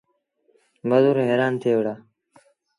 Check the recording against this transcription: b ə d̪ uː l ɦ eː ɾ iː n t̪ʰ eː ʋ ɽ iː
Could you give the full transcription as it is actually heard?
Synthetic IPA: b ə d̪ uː ɾ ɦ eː ɾ aː n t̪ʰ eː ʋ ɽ aː